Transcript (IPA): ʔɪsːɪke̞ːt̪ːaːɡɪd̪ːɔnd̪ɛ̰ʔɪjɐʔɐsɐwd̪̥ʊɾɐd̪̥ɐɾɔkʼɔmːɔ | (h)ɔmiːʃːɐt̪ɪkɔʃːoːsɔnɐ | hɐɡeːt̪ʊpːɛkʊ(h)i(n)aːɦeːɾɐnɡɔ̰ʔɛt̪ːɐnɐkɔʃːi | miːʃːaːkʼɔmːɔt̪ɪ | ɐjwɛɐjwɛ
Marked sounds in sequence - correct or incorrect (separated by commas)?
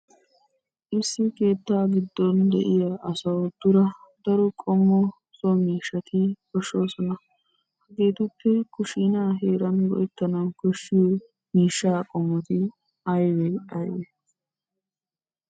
incorrect, incorrect, correct